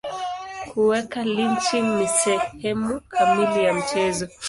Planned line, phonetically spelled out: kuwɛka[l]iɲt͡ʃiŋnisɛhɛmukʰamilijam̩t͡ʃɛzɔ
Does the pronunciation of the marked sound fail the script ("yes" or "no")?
no